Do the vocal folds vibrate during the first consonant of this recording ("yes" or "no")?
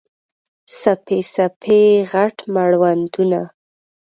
no